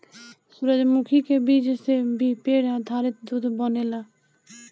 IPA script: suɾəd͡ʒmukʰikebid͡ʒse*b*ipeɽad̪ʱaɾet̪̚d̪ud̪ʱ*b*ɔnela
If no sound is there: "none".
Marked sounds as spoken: b, b

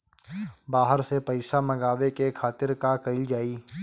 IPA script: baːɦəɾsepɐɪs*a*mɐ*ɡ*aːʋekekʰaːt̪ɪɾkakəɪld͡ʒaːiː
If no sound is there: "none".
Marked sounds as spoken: a, ɡ

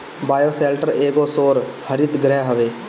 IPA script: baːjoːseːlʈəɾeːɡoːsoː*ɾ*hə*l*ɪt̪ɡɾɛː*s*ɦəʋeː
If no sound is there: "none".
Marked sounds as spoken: ɾ, ɾ, none

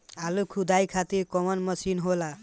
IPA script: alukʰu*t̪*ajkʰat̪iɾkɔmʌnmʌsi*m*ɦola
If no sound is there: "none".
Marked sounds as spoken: d̪, n

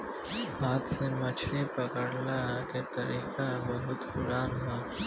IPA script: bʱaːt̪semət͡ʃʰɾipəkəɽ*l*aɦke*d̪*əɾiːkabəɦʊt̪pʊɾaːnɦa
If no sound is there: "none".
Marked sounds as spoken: l, t̪

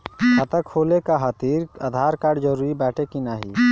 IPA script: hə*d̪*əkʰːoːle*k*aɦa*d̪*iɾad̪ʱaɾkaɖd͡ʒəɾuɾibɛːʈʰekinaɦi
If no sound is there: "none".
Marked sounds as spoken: t̪, k, t̪

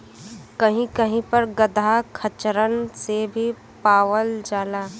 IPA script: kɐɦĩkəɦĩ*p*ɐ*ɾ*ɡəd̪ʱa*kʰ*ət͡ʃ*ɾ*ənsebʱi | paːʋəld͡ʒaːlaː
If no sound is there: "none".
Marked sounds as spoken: p, ɾ, kʰ, ɾ

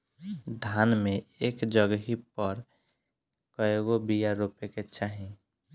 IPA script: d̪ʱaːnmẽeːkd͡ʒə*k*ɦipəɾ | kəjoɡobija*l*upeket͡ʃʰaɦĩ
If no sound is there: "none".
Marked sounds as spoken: ɡ, ɾ

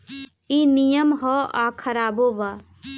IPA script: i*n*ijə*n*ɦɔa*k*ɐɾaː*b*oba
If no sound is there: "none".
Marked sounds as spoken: n, m, kʰ, b

